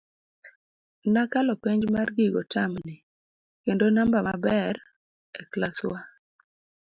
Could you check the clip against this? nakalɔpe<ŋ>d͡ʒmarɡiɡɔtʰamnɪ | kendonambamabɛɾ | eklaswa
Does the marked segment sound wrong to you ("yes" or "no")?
yes